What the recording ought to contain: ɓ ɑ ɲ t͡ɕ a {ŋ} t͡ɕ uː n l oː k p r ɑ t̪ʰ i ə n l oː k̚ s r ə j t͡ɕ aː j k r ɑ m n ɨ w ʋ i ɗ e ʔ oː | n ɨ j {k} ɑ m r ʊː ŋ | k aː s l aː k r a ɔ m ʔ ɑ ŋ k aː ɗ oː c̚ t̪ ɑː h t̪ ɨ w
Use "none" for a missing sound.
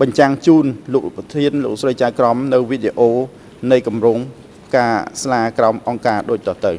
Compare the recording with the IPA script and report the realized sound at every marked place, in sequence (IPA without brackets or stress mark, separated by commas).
ŋ, k